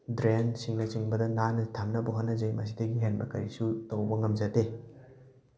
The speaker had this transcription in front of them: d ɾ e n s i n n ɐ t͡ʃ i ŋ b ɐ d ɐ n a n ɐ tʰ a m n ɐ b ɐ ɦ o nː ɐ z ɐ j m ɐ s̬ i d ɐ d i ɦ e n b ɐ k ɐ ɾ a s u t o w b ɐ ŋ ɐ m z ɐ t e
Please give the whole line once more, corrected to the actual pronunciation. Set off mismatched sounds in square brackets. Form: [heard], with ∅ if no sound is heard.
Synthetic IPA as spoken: d ɾ e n s i [ŋ] n ɐ t͡ʃ i ŋ b ɐ d ɐ n a n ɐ tʰ a m n ɐ b ɐ ɦ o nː ɐ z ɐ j m ɐ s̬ i d ɐ [ɡ] i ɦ e n b ɐ k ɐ ɾ [i] s u t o w b ɐ ŋ ɐ m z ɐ t e